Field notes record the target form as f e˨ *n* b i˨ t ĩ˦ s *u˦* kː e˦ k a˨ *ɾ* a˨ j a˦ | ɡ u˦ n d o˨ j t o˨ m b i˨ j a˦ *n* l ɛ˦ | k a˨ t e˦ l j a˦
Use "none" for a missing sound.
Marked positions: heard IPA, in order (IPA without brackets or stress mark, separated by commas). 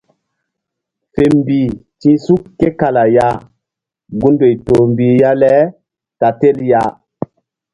m, u˦, l, none